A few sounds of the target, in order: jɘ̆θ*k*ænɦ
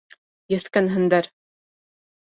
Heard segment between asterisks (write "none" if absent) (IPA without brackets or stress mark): k